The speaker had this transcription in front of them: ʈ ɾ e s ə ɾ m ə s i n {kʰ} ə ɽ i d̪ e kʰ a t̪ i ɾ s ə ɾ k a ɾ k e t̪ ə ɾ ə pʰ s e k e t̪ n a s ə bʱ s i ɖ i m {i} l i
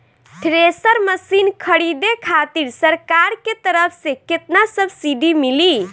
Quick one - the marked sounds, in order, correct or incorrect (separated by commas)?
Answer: correct, correct